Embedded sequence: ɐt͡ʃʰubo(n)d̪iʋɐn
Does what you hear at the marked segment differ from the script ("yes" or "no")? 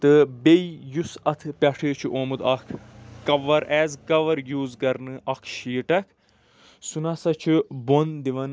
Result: no